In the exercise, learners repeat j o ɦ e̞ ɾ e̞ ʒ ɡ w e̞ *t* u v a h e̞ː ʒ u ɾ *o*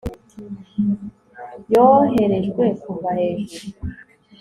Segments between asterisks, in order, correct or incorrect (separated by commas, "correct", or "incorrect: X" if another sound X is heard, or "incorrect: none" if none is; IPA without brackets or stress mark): incorrect: k, incorrect: u